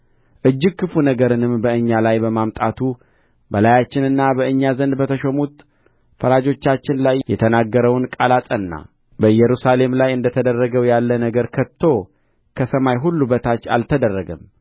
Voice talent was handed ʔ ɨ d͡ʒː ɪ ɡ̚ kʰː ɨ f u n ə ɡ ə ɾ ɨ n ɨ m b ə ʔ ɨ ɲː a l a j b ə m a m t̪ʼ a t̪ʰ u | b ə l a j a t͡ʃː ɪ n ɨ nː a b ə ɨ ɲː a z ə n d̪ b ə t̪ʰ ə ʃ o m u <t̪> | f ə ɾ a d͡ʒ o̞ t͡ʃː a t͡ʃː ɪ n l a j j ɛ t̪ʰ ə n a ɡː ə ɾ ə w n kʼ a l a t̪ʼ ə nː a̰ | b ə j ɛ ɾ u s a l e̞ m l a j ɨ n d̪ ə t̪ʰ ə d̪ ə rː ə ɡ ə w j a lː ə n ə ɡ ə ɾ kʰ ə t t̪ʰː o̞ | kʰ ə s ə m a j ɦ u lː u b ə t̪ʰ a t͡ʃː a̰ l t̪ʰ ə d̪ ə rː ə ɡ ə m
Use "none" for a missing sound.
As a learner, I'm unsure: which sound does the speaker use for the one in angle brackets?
t̪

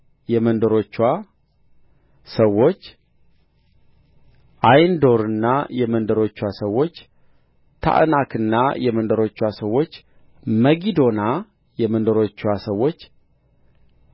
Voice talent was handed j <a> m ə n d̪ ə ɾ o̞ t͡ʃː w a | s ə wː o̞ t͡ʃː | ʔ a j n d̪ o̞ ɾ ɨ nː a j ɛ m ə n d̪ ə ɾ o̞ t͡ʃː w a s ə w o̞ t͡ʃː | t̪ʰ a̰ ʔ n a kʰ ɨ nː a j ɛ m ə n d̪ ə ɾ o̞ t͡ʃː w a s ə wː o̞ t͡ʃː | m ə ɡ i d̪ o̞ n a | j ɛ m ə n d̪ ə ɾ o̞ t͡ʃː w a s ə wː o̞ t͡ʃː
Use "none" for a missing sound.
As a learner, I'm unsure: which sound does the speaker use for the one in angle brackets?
ɛ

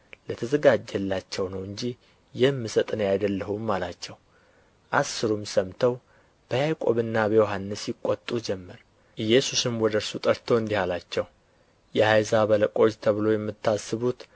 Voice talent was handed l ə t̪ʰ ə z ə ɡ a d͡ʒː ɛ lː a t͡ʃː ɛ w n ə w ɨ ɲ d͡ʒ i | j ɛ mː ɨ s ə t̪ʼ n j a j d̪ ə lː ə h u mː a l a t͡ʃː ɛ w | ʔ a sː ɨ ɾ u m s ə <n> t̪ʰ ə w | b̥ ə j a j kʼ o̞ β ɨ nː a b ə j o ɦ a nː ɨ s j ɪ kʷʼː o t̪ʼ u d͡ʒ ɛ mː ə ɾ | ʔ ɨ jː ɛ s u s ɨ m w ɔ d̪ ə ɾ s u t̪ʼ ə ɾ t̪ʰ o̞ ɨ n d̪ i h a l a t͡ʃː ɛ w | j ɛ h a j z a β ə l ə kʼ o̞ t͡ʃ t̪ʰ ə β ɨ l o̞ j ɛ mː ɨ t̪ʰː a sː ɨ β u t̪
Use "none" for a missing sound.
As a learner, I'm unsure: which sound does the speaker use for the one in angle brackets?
m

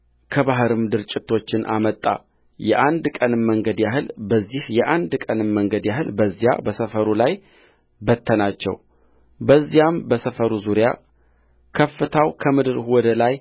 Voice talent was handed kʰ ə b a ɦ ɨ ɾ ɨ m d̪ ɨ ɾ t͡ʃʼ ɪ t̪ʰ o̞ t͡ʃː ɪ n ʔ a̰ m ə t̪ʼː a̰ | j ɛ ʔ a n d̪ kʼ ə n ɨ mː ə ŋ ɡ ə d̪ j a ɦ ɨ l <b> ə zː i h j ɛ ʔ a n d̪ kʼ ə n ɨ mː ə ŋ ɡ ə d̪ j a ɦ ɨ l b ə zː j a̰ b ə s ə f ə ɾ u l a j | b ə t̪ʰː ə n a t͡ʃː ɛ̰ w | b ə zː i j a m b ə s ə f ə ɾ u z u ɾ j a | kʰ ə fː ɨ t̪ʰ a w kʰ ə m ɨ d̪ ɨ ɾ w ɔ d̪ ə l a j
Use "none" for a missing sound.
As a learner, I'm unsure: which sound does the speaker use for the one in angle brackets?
b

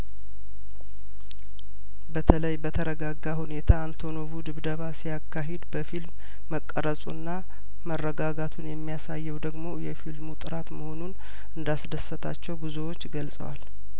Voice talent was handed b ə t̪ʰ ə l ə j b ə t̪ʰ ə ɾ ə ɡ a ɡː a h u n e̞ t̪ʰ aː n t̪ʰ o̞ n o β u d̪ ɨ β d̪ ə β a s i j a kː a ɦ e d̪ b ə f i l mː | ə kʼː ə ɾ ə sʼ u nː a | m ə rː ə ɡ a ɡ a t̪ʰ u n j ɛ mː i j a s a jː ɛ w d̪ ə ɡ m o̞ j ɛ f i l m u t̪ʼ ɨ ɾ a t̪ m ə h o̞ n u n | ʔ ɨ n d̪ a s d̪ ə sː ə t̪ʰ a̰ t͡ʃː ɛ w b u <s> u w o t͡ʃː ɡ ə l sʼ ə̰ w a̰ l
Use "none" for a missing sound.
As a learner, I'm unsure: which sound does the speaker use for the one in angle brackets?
z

